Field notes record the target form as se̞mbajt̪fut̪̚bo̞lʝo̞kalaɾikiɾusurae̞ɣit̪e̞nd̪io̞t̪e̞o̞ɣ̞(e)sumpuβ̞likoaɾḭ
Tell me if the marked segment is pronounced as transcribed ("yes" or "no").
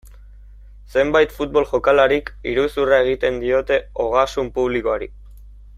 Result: no